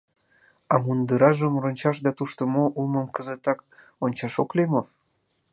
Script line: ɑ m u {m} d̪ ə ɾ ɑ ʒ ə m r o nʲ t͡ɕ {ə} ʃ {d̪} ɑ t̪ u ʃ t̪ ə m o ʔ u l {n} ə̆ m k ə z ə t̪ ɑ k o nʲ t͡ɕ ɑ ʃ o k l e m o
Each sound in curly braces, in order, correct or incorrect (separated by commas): incorrect, incorrect, correct, incorrect